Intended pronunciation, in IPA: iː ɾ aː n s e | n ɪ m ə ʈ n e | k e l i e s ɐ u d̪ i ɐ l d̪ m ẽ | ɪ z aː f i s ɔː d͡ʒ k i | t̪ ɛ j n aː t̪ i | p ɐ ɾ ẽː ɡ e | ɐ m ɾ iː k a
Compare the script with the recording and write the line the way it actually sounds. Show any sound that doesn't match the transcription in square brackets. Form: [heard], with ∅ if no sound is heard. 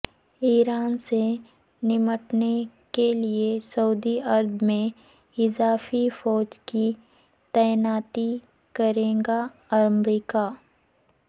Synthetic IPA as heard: iː ɾ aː n s e | n ɪ m ə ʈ n e | k e l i e s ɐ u d̪ i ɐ [ɾ] d̪ m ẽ | ɪ z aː f i [f] ɔː d͡ʒ k i | t̪ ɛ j n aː t̪ i | [k] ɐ ɾ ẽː ɡ [a] | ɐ m ɾ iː k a